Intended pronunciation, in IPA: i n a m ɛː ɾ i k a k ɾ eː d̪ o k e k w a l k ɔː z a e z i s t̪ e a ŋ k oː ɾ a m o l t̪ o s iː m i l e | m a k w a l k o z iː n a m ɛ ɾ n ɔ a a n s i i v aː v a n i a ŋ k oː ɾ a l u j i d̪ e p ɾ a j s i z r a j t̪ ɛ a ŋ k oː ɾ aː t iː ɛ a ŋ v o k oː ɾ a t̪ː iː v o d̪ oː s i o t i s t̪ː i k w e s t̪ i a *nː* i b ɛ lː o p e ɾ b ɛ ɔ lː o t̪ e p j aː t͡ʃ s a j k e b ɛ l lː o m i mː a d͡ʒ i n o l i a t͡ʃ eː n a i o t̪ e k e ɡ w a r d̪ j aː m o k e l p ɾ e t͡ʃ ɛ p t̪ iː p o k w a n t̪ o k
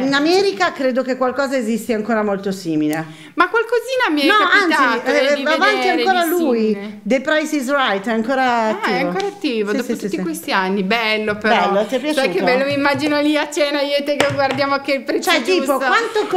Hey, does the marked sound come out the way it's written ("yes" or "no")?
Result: yes